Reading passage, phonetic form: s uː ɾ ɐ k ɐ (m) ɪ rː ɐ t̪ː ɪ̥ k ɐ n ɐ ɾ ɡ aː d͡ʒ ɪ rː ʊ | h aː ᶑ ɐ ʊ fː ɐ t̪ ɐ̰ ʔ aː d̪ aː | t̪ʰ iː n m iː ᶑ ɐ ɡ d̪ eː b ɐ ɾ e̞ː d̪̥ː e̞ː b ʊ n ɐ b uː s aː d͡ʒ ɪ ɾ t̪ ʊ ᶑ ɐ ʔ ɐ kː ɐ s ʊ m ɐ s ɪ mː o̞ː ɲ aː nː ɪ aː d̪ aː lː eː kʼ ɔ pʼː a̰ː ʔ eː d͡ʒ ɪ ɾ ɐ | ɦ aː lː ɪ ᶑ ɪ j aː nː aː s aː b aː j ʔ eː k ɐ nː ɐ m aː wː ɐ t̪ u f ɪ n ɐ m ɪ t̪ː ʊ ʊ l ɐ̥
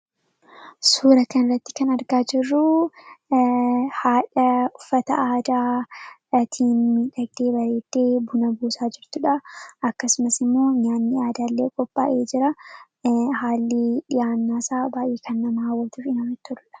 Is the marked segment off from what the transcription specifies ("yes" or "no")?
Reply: yes